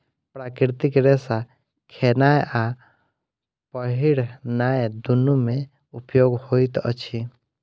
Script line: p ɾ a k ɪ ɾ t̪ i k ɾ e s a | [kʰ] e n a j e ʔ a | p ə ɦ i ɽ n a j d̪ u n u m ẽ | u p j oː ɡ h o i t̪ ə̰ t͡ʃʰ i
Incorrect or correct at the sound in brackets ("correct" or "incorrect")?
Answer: correct